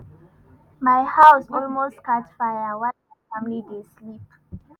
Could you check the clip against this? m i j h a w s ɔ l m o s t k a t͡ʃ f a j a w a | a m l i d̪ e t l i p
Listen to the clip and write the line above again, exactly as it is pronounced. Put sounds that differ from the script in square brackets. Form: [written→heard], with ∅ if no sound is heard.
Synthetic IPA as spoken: m [i→a] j h a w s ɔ l m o s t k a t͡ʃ f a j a w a | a m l i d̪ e [t→s] l i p